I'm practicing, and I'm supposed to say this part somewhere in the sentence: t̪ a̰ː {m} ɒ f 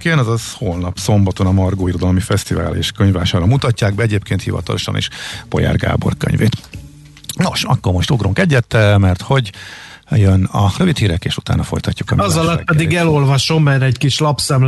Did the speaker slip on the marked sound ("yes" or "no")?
yes